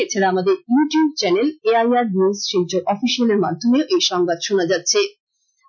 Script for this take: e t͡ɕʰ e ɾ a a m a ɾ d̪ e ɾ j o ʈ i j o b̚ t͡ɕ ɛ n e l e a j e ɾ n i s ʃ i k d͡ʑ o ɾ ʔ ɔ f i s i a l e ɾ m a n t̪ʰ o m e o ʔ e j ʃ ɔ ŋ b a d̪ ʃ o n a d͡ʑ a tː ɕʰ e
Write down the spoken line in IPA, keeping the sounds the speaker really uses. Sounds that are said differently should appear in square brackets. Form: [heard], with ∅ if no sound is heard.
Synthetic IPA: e t͡ɕʰ e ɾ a a m a [∅] d̪ e ɾ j [u] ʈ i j [u] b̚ t͡ɕ ɛ n e l e a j [a] ɾ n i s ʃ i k d͡ʑ o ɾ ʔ ɔ f i [ʃ] i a l e ɾ m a n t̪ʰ o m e o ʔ e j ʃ ɔ ŋ b a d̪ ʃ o n a d͡ʑ a tː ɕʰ e